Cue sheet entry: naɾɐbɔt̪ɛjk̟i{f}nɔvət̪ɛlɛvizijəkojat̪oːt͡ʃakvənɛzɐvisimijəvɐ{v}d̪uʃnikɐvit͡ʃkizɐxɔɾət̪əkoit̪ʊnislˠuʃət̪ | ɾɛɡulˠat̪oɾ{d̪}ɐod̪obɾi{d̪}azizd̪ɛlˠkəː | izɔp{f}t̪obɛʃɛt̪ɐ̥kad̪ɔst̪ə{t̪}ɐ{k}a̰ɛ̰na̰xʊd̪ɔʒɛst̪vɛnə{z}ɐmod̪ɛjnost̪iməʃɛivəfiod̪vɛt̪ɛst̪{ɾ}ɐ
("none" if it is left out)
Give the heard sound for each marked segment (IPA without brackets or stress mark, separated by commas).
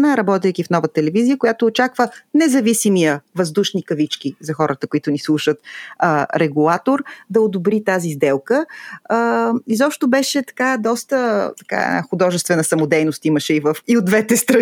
f, z, d̪, t̪, ʃ, t̪, k, s, ɾ